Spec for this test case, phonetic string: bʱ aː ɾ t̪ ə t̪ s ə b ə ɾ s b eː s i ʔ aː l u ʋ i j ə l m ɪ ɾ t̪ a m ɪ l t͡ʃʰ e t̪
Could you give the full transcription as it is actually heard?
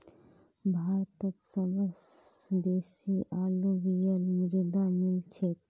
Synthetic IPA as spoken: bʱ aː ɾ t̪ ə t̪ s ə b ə s b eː s i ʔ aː l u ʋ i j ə l m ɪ ɾ d̪ a m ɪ l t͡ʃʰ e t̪